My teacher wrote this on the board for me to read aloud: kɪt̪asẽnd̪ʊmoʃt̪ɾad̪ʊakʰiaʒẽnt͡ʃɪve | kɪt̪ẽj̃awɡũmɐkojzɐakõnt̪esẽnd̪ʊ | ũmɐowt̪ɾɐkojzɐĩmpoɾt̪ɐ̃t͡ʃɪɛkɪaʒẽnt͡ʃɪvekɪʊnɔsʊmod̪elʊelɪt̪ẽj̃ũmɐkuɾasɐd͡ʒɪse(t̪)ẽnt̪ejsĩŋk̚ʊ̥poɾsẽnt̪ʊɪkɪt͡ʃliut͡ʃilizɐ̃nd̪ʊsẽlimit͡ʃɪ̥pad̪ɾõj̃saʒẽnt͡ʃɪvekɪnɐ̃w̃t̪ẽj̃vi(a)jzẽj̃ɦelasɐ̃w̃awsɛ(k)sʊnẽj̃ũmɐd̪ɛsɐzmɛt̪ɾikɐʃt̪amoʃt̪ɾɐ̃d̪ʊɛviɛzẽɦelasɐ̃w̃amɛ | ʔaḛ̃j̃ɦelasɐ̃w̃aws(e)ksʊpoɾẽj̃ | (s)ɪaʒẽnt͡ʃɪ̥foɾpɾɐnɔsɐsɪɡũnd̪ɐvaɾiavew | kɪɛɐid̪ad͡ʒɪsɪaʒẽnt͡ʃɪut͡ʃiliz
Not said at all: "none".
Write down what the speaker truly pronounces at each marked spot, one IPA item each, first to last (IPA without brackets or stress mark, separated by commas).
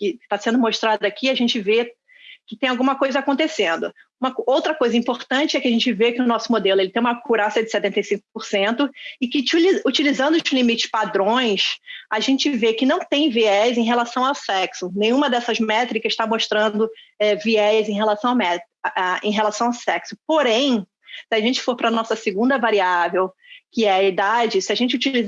t̪, ɛ, k, ɛ, s